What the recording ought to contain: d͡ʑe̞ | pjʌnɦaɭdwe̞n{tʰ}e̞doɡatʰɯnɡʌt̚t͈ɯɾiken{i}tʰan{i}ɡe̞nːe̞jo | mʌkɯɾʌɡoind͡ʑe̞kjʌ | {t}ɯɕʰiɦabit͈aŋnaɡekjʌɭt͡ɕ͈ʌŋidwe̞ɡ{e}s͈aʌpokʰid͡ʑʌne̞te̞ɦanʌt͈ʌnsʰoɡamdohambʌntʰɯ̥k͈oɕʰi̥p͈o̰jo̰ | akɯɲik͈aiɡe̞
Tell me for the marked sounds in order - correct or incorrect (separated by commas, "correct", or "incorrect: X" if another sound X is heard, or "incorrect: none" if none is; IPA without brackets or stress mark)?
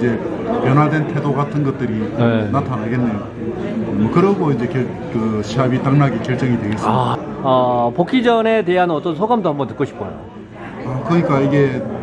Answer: correct, incorrect: a, incorrect: a, incorrect: k, correct